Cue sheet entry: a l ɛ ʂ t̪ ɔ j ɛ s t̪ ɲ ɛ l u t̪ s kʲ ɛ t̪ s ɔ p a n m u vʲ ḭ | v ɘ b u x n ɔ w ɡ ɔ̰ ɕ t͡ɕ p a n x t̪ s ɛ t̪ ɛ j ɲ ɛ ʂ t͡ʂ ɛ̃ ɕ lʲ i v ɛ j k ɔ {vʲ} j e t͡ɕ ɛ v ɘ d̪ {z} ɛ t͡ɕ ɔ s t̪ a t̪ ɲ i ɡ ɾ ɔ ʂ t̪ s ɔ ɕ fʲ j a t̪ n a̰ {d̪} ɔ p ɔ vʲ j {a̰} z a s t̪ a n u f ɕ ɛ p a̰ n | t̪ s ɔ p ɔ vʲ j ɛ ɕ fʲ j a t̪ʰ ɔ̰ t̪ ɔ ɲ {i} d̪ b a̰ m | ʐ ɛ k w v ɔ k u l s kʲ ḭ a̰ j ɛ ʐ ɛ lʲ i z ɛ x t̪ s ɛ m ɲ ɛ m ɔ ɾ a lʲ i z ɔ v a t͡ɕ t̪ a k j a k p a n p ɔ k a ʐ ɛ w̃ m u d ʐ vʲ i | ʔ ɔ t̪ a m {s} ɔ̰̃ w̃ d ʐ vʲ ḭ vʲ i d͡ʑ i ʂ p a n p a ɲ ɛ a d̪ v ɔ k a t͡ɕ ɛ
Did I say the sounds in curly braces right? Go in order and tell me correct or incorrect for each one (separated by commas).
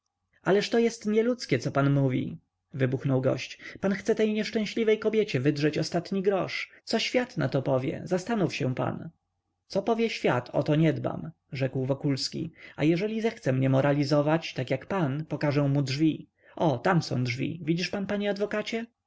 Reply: incorrect, incorrect, incorrect, incorrect, incorrect, correct